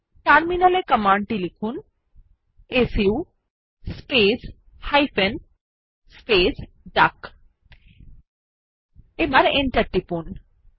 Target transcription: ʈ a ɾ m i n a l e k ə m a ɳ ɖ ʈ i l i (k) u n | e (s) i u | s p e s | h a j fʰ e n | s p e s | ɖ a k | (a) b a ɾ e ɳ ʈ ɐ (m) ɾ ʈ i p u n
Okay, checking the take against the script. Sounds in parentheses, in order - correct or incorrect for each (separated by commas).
incorrect, correct, incorrect, incorrect